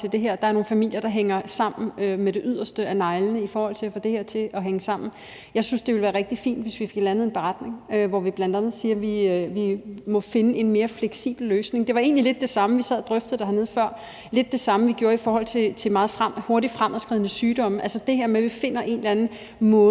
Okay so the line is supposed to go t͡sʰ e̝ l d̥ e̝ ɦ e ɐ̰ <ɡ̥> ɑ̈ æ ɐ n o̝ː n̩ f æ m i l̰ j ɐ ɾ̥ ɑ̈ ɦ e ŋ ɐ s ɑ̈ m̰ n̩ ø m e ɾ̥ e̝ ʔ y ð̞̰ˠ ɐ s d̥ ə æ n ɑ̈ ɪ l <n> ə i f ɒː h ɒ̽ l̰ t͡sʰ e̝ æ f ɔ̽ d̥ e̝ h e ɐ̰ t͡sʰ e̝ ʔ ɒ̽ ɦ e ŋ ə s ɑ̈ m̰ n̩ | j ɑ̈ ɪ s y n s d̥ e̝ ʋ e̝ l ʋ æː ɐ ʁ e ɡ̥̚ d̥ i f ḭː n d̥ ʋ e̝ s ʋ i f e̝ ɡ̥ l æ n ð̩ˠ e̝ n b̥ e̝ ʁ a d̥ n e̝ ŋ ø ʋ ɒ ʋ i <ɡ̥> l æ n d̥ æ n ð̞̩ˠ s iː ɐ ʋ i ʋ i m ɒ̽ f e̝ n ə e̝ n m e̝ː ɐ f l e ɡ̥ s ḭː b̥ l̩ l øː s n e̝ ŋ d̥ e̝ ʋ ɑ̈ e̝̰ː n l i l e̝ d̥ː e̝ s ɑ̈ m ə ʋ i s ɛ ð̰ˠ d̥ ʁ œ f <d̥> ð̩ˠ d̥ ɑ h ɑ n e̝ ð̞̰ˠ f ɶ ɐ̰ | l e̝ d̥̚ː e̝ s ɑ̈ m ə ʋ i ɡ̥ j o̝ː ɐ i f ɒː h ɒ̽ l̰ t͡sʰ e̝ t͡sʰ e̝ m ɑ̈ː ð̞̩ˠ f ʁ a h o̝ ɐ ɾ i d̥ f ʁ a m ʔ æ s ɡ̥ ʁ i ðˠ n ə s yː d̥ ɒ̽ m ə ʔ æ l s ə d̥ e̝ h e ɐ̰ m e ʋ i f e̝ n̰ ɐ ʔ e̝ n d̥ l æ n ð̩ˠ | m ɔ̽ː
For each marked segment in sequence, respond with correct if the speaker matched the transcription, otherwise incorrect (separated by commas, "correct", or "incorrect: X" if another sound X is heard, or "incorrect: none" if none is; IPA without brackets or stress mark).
incorrect: d̥, correct, incorrect: b̥, correct